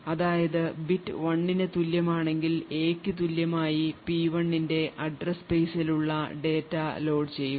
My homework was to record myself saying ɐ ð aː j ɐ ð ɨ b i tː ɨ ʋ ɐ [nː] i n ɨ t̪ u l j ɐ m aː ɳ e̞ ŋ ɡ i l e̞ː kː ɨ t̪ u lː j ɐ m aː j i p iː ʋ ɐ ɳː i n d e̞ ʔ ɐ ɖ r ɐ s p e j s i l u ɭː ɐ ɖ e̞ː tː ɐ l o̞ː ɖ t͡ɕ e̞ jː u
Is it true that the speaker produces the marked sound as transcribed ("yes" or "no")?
no